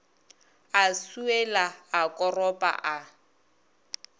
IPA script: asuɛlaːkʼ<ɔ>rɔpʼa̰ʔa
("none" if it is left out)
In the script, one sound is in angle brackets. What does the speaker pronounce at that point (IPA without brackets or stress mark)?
ɔ